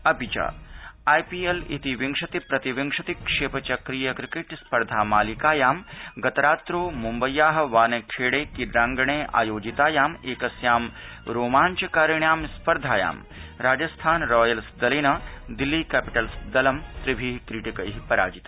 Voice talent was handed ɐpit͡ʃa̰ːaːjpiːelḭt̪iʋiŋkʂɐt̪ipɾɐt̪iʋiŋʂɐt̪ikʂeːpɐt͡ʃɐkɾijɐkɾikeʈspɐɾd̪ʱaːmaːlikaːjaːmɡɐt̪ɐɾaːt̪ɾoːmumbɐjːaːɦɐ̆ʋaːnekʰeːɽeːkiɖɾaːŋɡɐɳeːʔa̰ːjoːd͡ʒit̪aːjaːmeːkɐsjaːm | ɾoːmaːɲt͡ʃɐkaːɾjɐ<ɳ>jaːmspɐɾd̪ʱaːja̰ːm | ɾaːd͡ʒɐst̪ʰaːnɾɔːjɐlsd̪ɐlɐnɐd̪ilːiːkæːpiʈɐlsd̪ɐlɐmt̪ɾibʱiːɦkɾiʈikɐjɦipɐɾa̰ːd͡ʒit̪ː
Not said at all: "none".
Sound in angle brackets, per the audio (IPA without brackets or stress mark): ɳ